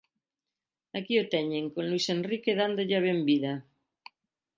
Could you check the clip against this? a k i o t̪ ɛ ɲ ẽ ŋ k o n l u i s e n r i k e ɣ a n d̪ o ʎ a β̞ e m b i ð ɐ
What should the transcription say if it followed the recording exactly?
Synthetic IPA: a k i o t̪ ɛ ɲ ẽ ŋ k o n l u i s e n r i k e ð a n d̪ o ʎ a β̞ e m b i ð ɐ